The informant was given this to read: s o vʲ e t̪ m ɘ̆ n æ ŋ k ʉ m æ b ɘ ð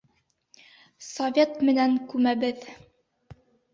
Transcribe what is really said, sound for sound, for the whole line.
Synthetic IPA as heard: s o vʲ e t̪ m ɘ̆ n æ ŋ k ʉ m æ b ɘ ð

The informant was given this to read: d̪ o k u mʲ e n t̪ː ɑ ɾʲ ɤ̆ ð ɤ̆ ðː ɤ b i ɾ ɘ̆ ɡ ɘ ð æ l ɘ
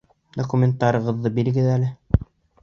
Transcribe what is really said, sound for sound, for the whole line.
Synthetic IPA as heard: d̪ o k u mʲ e n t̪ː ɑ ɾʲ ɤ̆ ʁ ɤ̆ ðː ɤ b i ɾ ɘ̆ ɡ ɘ ð æ l ɘ

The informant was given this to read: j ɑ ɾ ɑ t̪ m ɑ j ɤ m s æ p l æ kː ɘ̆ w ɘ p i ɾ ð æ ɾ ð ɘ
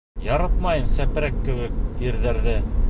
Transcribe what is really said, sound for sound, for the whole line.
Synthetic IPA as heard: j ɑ ɾ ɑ t̪ m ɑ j ɤ m s æ p ɾ æ kː ɘ̆ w ɘ k i ɾ ð æ ɾ ð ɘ

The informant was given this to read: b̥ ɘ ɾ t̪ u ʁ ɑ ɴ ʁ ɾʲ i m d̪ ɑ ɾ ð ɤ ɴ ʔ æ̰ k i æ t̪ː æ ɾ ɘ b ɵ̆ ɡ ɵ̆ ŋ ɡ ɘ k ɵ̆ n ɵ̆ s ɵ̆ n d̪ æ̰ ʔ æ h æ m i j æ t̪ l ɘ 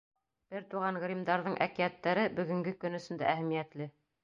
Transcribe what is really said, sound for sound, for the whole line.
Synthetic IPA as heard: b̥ ɘ ɾ t̪ u ʁ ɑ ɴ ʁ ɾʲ i m d̪ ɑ ɾ ð ɤ ɴ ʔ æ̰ k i æ t̪ː æ ɾ ɘ b ɵ̆ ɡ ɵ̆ ŋ ɡ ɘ k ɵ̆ n ɵ̆ s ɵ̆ n d̪ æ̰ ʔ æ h æ m i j æ t̪ l ɘ

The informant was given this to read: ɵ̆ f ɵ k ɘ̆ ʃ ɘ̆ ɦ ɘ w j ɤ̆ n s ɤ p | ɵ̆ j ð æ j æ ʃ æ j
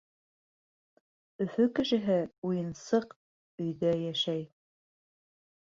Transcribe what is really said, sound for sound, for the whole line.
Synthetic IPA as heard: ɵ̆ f ɵ k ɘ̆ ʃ ɘ̆ ɦ ɘ u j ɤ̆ n s ɤ q | ɵ̆ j ð æ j æ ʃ æ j

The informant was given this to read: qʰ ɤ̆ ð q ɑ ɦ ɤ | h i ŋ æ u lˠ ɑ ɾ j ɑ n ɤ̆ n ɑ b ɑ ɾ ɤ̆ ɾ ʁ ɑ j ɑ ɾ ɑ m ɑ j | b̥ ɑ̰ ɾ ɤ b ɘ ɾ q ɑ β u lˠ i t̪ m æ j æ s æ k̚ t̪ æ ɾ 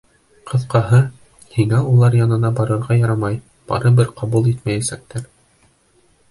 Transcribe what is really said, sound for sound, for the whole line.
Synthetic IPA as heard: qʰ ɤ̆ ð q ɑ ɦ ɤ | h i ŋ æ u lˠ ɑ ɾ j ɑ n ɤ̆ n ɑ b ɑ ɾ ɤ̆ ɾ ʁ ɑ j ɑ ɾ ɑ m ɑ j | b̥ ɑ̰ ɾ ɤ b ɘ ɾ q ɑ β u lˠ i t̪ m æ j æ s æ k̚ t̪ æ ɾ

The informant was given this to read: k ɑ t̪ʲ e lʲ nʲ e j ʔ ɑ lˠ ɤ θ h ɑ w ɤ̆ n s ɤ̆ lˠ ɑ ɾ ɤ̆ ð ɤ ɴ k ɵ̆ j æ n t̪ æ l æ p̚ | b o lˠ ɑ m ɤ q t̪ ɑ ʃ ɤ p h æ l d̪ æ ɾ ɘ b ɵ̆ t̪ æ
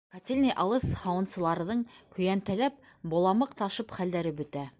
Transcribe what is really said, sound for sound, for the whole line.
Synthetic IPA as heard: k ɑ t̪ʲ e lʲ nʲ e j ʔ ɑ lˠ ɤ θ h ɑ w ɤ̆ n s ɤ̆ lˠ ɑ ɾ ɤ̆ ð ɤ ɴ k ɵ̆ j æ n t̪ æ l æ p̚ | b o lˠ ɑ m ɤ q t̪ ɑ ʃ ɤ p χ æ l d̪ æ ɾ ɘ b ɵ̆ t̪ æ

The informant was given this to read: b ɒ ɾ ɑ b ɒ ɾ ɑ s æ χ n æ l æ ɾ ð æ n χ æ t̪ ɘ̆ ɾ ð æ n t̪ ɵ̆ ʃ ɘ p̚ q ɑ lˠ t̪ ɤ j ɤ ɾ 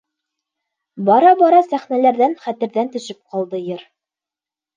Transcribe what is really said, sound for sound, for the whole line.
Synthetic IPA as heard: b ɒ ɾ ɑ b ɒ ɾ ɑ s æ χ n æ l æ ɾ ð æ n χ æ t̪ ɘ̆ ɾ ð æ n t̪ ɵ̆ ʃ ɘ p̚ q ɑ lˠ d̪ ɤ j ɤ ɾ

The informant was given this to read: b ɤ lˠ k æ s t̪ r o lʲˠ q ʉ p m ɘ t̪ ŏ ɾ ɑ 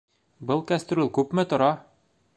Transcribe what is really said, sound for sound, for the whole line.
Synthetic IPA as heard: b ɤ lˠ k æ s t̪ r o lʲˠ k ʉ p m ɘ t̪ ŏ ɾ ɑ

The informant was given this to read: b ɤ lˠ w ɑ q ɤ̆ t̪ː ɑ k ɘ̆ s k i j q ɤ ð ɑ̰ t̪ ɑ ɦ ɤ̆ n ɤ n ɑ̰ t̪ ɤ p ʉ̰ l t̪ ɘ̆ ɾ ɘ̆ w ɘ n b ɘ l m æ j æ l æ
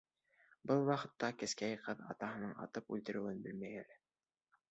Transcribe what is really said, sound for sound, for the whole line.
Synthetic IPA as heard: b ɤ lˠ w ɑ q ɤ̆ t̪ː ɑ k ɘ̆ s k æ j q ɤ ð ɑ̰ t̪ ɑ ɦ ɤ̆ n ɤ ɴ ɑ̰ t̪ ɤ p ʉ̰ l t̪ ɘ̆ ɾ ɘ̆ w ɘ n b ɘ l m æ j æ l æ

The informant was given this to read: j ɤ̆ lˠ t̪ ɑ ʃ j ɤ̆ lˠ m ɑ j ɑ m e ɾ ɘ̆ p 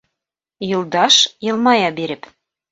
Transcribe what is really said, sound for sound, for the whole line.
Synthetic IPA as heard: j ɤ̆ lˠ d̪ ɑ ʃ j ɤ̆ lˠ m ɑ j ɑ b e ɾ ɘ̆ p

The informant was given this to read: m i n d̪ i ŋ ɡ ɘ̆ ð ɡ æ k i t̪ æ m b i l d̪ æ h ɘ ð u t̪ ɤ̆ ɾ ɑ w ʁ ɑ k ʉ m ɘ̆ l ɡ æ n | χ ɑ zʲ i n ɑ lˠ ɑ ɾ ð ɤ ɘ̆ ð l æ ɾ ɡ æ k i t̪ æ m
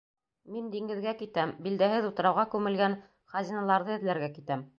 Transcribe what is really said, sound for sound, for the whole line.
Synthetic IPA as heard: m i n d̪ i ŋ ɡ ɘ̆ ð ɡ æ k i t̪ æ m b i l d̪ æ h ɘ ð u t̪ ɤ̆ ɾ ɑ w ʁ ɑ k ʉ m ɘ̆ l ɡ æ n | χ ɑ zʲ i n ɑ lˠ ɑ ɾ ð ɤ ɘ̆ ð l æ ɾ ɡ æ k i t̪ æ m

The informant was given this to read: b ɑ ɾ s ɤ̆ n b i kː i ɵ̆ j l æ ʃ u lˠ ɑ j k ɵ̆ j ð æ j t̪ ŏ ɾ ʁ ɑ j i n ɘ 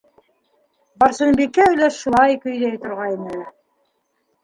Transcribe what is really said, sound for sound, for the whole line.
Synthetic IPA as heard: b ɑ ɾ s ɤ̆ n b i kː æ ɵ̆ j l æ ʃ u lˠ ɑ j k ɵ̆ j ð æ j t̪ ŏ ɾ ʁ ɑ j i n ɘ

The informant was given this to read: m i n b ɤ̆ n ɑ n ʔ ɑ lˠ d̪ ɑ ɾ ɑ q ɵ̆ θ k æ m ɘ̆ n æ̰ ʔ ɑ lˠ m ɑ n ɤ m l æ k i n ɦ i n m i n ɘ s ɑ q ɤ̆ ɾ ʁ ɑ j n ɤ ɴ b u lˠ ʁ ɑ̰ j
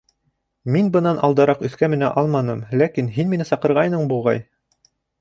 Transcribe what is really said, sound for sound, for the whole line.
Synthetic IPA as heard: m i n b ɤ̆ n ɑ n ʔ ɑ lˠ d̪ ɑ ɾ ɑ q ɵ̆ θ k æ m ɘ̆ n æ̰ ʔ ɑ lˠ m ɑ n ɤ m l æ k i n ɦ i n m i n ɘ s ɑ q ɤ̆ ɾ ʁ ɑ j n ɤ ɴ b u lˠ ʁ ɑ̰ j

